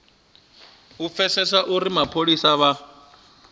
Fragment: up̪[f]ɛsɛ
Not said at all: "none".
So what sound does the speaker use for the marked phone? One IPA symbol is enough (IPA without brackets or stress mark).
f